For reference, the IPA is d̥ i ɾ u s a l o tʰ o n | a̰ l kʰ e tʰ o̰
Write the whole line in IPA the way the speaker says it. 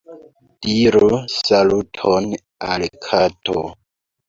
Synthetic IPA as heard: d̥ i ɾ u s a l u tʰ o n | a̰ l kʰ a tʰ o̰